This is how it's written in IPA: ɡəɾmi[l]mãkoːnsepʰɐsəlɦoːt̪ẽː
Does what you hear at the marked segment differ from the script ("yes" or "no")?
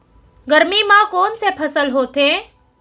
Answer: yes